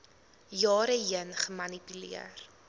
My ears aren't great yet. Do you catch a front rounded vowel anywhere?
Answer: yes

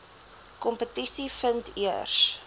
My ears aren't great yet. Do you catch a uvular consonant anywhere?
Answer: no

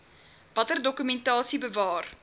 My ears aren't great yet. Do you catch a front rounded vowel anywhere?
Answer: yes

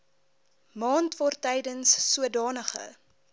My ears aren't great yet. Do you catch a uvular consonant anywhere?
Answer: yes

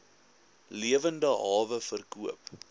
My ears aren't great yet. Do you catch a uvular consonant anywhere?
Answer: no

